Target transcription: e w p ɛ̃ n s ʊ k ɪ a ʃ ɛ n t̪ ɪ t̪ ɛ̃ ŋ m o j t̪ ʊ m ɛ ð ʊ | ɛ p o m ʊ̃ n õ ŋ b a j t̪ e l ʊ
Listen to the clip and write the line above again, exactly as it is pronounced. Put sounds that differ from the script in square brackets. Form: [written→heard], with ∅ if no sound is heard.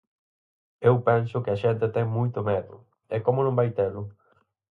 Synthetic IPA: e w p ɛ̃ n s ʊ k ɪ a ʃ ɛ n t̪ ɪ t̪ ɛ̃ ŋ m [o→u] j t̪ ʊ m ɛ ð ʊ | ɛ [p→k] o m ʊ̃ n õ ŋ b a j t̪ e l ʊ